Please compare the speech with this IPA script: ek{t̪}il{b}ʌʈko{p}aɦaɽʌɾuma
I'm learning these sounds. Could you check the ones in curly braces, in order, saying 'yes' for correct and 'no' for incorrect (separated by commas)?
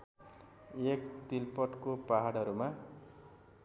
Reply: yes, no, yes